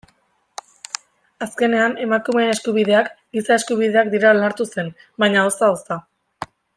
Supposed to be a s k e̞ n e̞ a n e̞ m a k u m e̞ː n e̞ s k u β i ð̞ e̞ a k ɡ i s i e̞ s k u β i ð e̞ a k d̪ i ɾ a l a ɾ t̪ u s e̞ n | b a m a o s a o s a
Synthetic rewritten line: a s k e̞ n e̞ a n e̞ m a k u m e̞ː n e̞ s k u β i ð̞ e̞ a k ɡ i s a e̞ s k u β i ð e̞ a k d̪ i ɾ a l a ɾ t̪ u s e̞ n | b a ɲ a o s a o s a